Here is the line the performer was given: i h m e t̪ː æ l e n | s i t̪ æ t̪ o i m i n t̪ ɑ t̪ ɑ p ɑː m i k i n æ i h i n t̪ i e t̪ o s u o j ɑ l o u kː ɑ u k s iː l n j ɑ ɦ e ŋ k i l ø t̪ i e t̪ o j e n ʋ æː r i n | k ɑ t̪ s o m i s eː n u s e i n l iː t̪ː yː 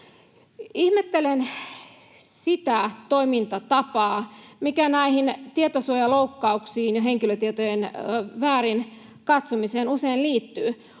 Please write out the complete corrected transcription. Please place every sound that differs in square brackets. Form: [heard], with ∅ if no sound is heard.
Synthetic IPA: i h m e t̪ː [e] l e n | s i t̪ æ t̪ o i m i n t̪ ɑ t̪ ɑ p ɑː m i k [æ] n æ i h i n t̪ i e t̪ o s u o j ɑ l o u kː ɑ u k s iː [∅] n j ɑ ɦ e ŋ k i l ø t̪ i e t̪ o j e n ʋ æː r i n | k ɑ t̪ s o m i s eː n u s e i n l iː t̪ː yː

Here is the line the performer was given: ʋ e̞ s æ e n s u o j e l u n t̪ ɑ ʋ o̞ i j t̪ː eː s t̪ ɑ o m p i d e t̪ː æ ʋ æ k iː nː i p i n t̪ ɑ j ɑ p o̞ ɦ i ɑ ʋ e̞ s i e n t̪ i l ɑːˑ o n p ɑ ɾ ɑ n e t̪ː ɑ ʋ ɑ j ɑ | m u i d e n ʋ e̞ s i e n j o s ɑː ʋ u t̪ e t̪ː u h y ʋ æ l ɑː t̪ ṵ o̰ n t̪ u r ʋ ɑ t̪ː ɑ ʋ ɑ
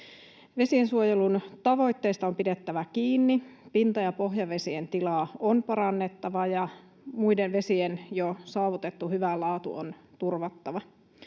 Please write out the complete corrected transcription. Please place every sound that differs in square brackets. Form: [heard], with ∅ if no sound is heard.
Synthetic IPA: ʋ e̞ s [i] e n s u o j e l u n t̪ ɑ ʋ o̞ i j t̪ː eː s t̪ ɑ o m p i d e t̪ː æ ʋ æ k iː nː i p i n t̪ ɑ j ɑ p o̞ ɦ [j] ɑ ʋ e̞ s i e n t̪ i l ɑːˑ o n p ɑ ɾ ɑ [nː] e t̪ː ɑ ʋ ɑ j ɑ | m u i d e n ʋ e̞ s i e n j o s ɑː ʋ u t̪ e t̪ː u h y ʋ æ l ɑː t̪ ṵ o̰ n t̪ u r ʋ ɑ t̪ː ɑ ʋ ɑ

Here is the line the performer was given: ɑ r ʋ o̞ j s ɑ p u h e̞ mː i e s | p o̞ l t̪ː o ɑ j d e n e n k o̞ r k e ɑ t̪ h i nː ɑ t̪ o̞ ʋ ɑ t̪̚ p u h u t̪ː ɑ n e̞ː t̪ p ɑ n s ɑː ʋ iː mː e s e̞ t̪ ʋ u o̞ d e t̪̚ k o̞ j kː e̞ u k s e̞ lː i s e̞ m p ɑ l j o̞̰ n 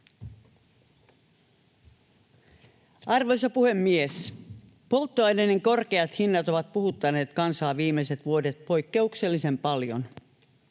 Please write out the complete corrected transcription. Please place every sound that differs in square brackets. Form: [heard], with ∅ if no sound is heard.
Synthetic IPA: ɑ r ʋ o̞ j s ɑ p u h e̞ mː i e s | p o̞ l t̪ː o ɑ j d e n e [ŋ] k o̞ r k e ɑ t̪ h i nː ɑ t̪ o̞ ʋ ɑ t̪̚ p u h u t̪ː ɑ n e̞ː t̪ [k] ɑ n s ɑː ʋ iː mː e s e̞ t̪ ʋ u o̞ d e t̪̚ [p] o̞ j kː e̞ u k s e̞ lː i s e̞ m p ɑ l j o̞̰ n

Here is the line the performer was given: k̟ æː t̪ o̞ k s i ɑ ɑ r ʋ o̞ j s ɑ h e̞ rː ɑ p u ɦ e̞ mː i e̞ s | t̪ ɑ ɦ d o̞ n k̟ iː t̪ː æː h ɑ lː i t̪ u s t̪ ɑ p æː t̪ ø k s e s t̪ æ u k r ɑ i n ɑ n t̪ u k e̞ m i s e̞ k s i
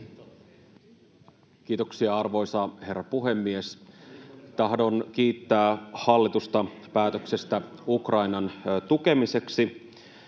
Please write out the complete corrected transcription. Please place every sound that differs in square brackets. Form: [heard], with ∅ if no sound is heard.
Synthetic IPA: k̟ [iː] t̪ o̞ k s i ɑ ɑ r ʋ o̞ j s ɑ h e̞ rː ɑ p u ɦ e̞ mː i e̞ s | t̪ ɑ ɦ d o̞ n k̟ iː t̪ː æː h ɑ lː i t̪ u s t̪ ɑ p æː t̪ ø k s e s t̪ æ u k r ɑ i n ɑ n t̪ u k e̞ m i s e̞ k s i

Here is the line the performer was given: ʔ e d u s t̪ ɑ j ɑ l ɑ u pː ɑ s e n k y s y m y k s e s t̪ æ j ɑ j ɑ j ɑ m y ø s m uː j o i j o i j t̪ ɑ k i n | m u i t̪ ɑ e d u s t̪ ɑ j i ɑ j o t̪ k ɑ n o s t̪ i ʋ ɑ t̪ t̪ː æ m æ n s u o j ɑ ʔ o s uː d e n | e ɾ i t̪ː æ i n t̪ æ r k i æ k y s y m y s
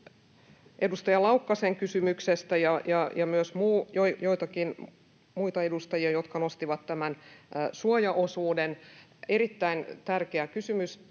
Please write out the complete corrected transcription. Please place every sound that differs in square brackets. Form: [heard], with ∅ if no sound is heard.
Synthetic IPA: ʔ e d u s t̪ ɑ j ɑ l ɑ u [kː] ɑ s e [ŋ] k y s y m y k s e s t̪ æ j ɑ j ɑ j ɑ m y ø s m uː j o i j o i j t̪ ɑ k i n | m u i t̪ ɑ e d u s t̪ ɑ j i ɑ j o t̪ k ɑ n o s t̪ i ʋ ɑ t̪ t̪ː æ m æ n s u o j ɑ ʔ o s uː d e n | e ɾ i t̪ː æ i n t̪ æ r k [e] æ k y s y m y s

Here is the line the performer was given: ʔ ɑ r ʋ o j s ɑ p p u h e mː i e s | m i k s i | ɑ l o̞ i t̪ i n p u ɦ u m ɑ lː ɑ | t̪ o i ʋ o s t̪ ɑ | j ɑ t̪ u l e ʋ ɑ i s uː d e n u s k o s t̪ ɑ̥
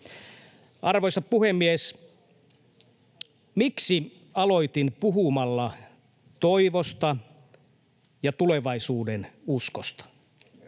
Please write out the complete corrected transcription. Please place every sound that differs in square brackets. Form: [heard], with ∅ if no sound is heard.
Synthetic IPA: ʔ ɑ r ʋ o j s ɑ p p u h e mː i e s | m i k s i | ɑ l o̞ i t̪ i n p u ɦ u m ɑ lː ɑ | t̪ o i ʋ o s t̪ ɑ | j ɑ t̪ u l e ʋ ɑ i s uː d e n u s k o s t̪ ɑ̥

